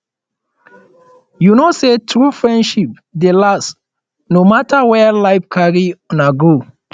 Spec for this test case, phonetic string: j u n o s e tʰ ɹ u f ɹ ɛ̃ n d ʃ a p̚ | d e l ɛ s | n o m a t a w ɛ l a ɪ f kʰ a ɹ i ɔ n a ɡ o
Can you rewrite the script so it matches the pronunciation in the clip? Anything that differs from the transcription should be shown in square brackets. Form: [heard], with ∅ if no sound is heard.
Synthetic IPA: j u n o s e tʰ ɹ u f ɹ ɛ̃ n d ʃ [i] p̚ | d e l [a] s | n o m a t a w ɛ l a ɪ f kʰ a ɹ i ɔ n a ɡ o